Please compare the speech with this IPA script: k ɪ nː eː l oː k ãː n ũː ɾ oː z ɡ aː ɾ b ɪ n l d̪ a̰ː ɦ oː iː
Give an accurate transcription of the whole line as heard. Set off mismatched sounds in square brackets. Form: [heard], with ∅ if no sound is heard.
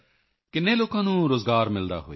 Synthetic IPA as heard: k ɪ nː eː l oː k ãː n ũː ɾ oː z ɡ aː ɾ [m] ɪ [∅] l d̪ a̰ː ɦ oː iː